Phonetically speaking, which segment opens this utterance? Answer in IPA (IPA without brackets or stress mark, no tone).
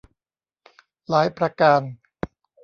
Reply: l